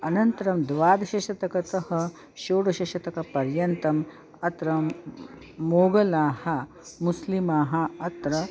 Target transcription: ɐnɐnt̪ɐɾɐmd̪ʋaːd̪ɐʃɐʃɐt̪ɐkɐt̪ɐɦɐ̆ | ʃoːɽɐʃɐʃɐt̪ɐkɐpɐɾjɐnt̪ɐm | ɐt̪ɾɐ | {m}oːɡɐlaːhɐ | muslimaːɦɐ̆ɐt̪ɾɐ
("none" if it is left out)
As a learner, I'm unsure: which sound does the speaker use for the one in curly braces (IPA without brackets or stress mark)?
m